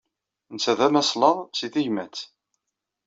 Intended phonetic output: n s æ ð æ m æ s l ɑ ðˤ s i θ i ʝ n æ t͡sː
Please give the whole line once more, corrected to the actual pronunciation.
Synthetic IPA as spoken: n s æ ð æ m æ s l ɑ ðˤ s i θ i ʝ m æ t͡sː